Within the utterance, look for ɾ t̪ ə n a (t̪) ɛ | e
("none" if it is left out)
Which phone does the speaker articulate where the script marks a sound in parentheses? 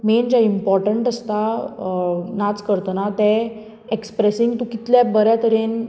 t̪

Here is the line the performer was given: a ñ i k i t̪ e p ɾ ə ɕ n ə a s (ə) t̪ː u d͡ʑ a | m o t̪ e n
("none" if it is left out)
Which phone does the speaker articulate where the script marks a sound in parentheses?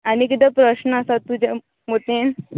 a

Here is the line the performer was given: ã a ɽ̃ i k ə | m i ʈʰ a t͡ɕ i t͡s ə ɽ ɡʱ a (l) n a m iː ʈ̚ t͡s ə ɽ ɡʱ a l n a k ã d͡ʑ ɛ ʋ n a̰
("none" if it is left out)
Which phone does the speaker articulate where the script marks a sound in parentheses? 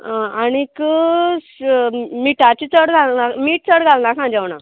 l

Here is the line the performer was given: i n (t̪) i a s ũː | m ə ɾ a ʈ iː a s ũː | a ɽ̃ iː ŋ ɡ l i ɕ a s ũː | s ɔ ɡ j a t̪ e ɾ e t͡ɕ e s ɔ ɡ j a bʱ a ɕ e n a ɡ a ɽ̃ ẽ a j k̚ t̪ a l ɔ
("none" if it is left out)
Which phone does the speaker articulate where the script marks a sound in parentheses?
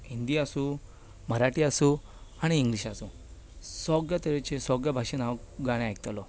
d̪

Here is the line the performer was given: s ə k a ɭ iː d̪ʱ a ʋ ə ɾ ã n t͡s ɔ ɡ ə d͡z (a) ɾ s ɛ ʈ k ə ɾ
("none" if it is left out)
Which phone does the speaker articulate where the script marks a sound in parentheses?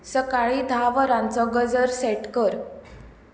ə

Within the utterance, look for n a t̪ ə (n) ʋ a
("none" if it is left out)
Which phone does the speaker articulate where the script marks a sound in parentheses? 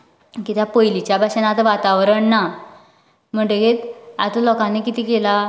none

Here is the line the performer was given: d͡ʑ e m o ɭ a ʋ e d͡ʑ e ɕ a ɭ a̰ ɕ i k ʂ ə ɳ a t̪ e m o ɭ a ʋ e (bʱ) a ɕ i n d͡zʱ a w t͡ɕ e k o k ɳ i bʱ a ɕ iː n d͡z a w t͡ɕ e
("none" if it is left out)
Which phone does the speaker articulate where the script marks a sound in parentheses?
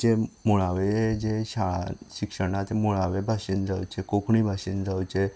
bʱ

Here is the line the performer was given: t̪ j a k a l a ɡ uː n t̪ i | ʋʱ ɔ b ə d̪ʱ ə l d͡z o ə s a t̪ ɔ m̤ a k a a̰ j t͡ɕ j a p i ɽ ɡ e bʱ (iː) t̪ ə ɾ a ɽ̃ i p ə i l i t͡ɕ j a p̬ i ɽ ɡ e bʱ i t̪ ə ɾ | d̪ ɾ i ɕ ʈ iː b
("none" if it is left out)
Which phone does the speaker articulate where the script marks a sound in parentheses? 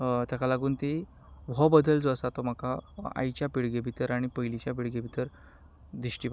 i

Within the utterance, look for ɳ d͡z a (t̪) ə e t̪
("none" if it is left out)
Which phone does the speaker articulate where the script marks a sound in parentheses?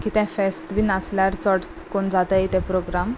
t̪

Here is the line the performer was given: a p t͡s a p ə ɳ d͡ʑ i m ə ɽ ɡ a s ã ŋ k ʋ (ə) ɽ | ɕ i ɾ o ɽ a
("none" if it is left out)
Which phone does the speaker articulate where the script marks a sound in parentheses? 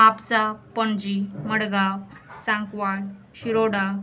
a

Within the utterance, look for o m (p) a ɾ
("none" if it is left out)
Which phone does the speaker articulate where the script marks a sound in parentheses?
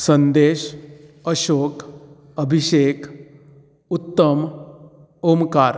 k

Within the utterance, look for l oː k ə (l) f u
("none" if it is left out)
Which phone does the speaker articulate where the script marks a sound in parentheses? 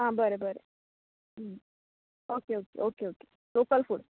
l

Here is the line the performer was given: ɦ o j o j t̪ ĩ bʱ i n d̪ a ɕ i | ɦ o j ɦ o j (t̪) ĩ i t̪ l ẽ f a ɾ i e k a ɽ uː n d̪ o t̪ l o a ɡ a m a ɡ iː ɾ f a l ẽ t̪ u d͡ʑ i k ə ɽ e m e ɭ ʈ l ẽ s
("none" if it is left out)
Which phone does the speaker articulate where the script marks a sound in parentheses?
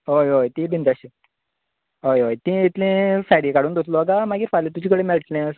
t̪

